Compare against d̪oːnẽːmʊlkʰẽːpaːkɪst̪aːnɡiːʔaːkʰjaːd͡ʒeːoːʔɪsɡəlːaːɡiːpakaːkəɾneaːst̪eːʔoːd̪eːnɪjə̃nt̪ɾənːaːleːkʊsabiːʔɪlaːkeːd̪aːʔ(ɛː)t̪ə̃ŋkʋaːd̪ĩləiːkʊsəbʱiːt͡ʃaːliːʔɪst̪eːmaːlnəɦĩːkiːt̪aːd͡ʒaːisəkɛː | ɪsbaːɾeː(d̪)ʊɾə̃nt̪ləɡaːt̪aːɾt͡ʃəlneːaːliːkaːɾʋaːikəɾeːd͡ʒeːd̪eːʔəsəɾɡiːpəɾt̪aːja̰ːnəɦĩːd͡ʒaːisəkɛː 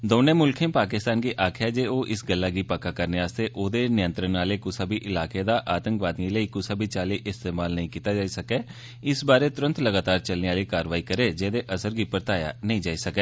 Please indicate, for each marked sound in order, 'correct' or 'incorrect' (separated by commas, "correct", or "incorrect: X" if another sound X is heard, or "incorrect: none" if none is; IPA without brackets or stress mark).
incorrect: aː, incorrect: t̪